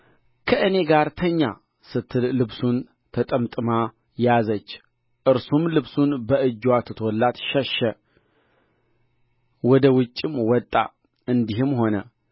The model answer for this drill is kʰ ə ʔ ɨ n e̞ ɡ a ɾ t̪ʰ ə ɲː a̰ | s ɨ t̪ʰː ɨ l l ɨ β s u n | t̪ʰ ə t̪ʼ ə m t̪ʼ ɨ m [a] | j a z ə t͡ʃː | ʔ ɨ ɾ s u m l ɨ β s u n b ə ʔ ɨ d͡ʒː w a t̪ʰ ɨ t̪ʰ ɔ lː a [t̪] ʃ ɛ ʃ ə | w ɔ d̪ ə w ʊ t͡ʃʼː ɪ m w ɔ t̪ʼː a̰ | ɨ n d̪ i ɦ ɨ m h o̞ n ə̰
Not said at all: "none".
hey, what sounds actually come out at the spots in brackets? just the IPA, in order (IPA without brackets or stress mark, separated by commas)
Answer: a, t̪